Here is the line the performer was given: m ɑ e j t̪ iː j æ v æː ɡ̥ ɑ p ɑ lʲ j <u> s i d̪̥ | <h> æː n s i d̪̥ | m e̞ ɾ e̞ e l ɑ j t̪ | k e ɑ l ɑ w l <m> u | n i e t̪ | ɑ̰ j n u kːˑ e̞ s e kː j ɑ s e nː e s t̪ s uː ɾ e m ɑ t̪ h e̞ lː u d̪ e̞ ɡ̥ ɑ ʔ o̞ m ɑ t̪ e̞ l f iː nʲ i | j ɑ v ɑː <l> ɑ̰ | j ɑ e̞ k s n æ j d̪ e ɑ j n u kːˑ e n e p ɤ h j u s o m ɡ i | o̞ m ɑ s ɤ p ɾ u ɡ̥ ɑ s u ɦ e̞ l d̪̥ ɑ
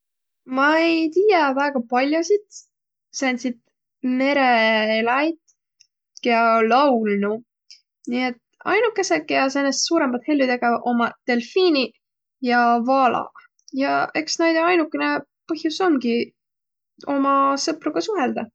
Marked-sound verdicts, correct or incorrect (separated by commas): incorrect, incorrect, incorrect, correct